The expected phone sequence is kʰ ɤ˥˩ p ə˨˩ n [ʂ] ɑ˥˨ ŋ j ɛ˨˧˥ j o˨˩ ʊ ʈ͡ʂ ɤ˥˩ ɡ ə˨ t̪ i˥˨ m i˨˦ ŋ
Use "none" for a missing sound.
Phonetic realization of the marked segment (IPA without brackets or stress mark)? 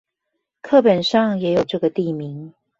ʂ